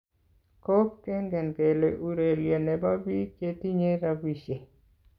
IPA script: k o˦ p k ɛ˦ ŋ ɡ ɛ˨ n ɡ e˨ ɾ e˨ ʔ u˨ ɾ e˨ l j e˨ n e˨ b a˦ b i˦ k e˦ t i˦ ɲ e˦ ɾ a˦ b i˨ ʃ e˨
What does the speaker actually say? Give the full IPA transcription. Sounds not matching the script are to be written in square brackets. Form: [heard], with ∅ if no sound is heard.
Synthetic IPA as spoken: k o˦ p k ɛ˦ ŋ ɡ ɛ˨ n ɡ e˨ [l] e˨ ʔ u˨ ɾ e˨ l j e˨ n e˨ b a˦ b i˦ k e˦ t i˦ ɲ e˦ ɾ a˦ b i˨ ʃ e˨

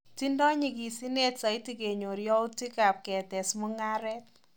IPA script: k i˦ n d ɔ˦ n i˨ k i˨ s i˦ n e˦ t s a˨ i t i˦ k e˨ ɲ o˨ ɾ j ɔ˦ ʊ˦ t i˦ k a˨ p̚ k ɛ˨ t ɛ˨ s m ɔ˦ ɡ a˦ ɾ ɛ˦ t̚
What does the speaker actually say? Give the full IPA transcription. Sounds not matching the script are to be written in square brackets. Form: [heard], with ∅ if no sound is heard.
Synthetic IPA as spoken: [t] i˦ n d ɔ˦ [ɲ] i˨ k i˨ s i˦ n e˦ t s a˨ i t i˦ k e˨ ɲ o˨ ɾ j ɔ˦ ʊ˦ t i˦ k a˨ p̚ k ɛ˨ t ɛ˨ s m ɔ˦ [ŋ] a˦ ɾ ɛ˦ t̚

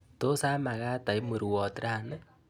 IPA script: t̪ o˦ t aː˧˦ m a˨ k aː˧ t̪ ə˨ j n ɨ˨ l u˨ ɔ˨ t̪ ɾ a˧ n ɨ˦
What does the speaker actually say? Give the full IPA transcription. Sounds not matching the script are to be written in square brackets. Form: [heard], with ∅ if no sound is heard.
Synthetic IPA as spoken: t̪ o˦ [s] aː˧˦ m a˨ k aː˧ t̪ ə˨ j [m] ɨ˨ [ɾ] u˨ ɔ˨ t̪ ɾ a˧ n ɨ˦

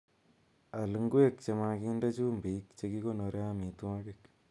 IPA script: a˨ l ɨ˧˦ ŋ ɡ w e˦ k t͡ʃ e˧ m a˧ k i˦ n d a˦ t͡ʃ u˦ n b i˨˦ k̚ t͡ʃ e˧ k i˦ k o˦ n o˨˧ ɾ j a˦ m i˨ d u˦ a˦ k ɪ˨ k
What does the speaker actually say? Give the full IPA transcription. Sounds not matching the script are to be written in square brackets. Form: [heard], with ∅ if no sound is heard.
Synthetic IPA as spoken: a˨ l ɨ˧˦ ŋ ɡ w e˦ k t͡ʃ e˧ m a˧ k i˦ n d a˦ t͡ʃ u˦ [m] b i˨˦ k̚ t͡ʃ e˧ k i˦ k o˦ n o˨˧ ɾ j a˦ m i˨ [t] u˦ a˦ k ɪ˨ k

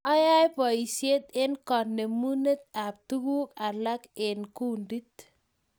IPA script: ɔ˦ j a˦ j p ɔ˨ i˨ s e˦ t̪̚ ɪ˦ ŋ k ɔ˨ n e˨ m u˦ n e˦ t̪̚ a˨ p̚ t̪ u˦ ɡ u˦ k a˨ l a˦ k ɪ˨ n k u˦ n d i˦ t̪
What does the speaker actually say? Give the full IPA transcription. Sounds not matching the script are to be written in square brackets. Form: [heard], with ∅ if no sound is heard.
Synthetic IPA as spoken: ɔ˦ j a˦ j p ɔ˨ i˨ s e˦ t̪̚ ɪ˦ [n] k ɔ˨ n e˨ m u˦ n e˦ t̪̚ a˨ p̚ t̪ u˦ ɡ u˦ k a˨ l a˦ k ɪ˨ n k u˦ n d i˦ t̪

